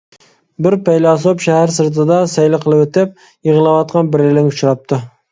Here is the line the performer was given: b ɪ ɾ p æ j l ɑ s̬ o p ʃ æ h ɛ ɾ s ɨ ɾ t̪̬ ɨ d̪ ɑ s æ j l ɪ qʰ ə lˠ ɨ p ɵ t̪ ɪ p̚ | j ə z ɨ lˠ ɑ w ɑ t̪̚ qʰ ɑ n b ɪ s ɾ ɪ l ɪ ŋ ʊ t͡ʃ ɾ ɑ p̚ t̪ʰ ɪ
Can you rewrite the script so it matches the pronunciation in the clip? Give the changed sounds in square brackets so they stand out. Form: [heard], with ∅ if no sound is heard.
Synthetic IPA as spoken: b ɪ ɾ p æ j l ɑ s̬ o p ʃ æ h [æ] ɾ s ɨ ɾ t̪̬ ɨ d̪ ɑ s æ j l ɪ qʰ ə lˠ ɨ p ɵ t̪ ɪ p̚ | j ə [ʁ] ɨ lˠ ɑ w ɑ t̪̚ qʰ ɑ n b ɪ [∅] ɾ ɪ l ɪ ŋ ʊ t͡ʃ ɾ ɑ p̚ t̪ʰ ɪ

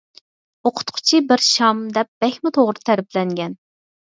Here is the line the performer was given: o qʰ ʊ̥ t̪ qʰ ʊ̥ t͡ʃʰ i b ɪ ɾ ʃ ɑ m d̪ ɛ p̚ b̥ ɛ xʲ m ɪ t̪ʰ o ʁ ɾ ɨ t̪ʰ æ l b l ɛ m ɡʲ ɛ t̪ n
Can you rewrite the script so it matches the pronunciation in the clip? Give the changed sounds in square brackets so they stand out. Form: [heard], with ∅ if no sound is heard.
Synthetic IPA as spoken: o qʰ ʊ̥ t̪ qʰ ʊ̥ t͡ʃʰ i b ɪ ɾ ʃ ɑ m d̪ ɛ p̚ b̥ ɛ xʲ m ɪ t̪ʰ o ʁ ɾ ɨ t̪ʰ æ [ɾ] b l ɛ [ŋ] ɡʲ ɛ [∅] n

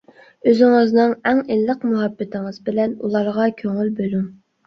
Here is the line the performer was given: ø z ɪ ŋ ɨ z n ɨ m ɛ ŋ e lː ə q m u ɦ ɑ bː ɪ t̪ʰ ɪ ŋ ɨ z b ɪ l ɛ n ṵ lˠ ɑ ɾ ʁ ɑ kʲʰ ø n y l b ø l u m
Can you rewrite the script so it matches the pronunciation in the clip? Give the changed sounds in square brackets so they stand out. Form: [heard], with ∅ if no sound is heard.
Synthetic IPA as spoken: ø z ɪ ŋ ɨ z n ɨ [ŋ] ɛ ŋ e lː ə q m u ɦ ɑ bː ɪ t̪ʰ ɪ ŋ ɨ z b ɪ l ɛ n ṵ lˠ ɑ ɾ ʁ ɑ kʲʰ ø [ŋ] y l b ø l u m

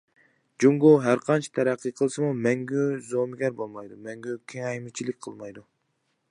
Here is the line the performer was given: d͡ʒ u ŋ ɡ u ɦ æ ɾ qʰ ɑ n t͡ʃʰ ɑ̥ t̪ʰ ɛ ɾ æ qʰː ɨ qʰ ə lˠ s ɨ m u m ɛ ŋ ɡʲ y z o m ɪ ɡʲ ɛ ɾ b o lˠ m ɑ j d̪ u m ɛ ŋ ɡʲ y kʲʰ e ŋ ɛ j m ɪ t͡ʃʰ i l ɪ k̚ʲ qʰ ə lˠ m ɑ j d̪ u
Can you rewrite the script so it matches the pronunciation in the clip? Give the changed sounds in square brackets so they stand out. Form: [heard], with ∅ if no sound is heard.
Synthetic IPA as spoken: d͡ʒ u ŋ ɡ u ɦ æ ɾ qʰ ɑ n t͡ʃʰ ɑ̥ t̪ʰ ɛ ɾ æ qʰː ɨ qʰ ə lˠ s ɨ m u m ɛ ŋ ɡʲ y z o m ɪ ɡʲ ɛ ɾ b o lˠ m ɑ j d̪ u m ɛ ŋ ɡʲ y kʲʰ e ŋ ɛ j m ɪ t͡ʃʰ i l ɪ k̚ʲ qʰ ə lˠ m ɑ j d̪ u

